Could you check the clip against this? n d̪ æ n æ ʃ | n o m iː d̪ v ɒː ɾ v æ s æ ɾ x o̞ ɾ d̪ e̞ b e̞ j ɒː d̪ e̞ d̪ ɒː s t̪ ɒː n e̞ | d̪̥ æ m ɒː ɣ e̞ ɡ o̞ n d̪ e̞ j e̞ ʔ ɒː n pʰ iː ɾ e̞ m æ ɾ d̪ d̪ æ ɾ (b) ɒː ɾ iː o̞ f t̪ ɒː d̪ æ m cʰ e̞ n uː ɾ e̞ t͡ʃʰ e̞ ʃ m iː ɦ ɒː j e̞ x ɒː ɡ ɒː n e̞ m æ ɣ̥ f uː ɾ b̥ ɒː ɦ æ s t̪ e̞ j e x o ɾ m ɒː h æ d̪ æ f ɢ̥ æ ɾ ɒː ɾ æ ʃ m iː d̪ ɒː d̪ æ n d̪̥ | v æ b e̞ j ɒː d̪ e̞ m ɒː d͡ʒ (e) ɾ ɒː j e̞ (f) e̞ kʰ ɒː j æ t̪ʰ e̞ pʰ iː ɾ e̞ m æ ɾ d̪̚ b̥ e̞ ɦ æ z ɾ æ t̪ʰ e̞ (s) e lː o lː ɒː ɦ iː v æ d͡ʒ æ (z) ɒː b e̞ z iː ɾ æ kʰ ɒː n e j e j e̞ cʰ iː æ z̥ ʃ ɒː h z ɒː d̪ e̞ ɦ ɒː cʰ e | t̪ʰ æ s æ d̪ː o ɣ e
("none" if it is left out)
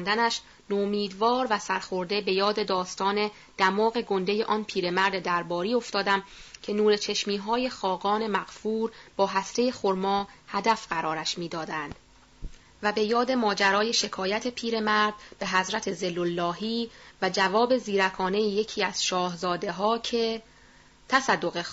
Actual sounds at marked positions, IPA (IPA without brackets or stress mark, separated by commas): b, æ, ʃ, z, v